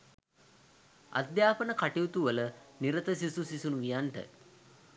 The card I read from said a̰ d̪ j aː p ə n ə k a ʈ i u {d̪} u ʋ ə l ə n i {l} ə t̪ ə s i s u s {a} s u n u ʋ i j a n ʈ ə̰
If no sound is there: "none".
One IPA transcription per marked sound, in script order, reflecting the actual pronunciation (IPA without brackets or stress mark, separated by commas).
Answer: t̪, ɾ, i